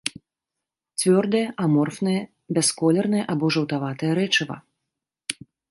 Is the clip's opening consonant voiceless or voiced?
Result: voiceless